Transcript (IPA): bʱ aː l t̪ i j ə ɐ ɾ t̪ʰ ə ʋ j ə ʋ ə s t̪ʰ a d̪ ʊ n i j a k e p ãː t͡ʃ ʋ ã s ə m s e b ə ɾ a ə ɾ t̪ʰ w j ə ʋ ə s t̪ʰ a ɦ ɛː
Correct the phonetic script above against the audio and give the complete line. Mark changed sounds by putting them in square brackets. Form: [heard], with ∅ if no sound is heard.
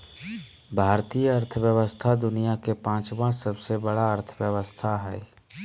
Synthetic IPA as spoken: bʱ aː [ɾ] t̪ i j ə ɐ ɾ t̪ʰ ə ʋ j ə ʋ ə s t̪ʰ a d̪ ʊ n i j a k e p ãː t͡ʃ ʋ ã s ə [b] s e b ə [ɽ] a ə ɾ t̪ʰ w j ə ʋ ə s t̪ʰ a ɦ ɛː